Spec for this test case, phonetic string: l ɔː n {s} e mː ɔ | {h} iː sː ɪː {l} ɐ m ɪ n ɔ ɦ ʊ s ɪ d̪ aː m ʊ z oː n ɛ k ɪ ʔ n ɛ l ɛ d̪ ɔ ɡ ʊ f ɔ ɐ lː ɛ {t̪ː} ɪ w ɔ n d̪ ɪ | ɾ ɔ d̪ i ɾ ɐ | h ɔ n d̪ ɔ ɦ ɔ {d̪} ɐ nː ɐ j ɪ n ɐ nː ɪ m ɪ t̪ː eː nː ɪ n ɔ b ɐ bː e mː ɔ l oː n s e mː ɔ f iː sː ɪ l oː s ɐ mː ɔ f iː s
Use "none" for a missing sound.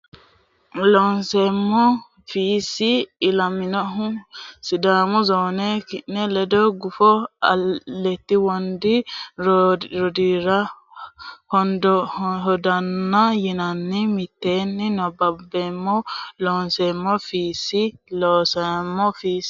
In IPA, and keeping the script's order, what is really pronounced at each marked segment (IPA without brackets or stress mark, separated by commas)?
s, f, l, t̪ː, d̪